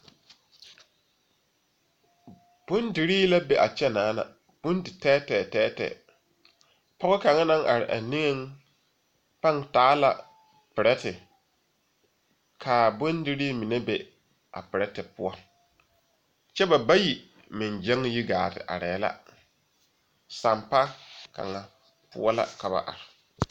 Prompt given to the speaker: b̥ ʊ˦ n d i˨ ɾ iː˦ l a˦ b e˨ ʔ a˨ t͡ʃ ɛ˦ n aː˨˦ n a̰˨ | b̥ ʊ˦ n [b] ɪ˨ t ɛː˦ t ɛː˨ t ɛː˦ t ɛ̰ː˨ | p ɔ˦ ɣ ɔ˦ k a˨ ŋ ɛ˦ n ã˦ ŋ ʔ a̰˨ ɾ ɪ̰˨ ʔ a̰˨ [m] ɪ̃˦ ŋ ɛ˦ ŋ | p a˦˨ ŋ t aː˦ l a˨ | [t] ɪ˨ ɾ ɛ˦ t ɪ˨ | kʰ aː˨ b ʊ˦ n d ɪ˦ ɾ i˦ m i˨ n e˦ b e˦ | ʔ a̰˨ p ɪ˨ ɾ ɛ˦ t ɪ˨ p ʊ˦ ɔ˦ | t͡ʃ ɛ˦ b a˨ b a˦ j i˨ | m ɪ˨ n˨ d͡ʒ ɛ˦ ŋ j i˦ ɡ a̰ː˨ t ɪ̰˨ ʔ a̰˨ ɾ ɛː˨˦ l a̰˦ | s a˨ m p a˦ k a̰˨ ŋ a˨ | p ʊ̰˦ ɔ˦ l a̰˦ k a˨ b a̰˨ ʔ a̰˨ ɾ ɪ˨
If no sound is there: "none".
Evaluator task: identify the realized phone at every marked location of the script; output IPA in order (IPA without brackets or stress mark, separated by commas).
d, n, p